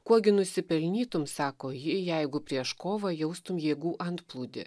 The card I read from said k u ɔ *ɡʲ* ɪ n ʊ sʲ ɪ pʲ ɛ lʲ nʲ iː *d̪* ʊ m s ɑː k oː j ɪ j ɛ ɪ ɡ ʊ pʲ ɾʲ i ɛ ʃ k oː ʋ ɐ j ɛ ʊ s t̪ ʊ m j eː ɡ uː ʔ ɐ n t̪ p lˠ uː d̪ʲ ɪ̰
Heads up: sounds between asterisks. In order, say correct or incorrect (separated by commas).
correct, incorrect